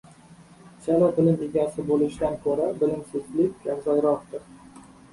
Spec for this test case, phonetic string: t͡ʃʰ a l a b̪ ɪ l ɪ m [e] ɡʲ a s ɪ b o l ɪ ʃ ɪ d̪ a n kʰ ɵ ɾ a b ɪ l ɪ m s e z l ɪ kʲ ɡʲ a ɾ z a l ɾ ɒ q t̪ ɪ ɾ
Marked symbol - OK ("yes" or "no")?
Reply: yes